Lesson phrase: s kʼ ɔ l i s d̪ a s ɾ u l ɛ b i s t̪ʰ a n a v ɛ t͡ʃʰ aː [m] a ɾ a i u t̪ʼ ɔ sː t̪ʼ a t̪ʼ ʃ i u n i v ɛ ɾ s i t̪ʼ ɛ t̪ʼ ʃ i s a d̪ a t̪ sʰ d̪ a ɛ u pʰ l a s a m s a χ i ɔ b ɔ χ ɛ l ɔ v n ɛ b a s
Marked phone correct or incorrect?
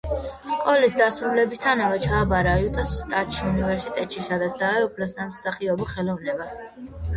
incorrect